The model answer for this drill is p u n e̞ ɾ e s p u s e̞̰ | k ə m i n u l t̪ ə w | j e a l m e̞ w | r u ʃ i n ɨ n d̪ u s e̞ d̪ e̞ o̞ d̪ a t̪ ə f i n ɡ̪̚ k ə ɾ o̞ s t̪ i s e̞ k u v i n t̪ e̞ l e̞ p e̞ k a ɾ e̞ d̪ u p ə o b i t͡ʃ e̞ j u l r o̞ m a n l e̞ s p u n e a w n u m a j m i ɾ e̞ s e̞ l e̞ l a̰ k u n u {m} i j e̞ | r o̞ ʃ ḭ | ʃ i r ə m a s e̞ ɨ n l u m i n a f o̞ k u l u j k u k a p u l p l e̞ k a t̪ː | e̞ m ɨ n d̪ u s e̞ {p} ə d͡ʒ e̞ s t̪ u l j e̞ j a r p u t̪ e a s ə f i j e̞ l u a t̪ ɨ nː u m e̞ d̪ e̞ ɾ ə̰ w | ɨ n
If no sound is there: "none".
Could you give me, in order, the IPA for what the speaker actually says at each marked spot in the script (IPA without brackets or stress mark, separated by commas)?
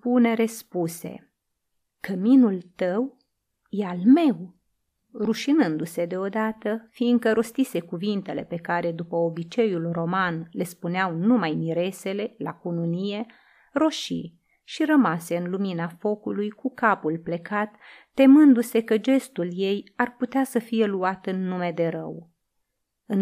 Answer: n, k